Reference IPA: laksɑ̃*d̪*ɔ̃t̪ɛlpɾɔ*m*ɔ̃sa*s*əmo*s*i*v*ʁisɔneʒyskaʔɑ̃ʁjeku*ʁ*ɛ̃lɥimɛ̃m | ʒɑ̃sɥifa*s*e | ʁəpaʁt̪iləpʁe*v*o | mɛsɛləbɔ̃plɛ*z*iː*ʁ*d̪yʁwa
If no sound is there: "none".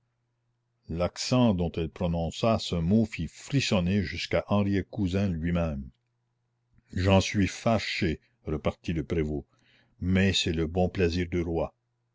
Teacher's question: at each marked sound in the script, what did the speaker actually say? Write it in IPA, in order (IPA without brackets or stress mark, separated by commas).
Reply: d̪, n, s, f, f, z, ʃ, v, z, ʁ